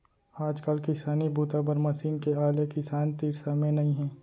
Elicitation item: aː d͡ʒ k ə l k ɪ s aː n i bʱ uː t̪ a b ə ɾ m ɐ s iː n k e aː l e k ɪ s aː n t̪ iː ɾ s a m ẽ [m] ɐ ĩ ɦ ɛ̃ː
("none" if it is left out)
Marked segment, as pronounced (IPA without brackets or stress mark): n